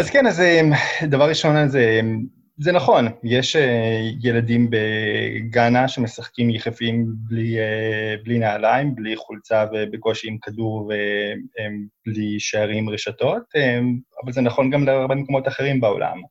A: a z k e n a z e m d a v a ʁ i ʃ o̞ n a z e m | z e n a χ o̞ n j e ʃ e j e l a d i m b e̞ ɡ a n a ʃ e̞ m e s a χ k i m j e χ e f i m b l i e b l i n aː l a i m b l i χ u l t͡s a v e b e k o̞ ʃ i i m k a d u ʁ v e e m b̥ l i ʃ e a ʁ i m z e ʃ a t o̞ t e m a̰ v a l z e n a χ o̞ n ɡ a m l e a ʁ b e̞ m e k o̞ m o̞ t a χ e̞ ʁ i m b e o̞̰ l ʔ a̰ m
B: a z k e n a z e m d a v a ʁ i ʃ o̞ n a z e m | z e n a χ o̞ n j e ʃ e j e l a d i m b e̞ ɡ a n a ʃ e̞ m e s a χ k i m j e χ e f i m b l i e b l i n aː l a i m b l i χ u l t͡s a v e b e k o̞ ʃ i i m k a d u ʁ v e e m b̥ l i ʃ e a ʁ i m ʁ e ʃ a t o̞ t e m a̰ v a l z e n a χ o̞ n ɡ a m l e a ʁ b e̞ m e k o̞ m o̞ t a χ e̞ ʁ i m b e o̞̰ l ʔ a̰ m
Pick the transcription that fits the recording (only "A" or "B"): B